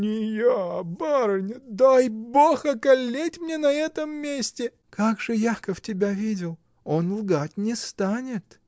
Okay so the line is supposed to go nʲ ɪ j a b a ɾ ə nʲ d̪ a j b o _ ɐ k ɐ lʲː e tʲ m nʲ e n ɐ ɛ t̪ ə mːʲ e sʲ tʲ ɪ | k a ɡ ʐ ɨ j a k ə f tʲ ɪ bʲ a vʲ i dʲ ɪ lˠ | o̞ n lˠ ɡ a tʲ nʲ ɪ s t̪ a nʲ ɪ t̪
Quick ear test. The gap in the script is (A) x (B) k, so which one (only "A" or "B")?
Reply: A